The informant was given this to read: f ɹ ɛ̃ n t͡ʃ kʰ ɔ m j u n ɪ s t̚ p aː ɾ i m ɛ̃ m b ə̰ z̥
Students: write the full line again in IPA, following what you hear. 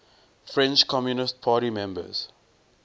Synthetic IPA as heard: f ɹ ɛ̃ n t͡ʃ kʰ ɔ m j u n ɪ s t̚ pʰ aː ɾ i m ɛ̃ m b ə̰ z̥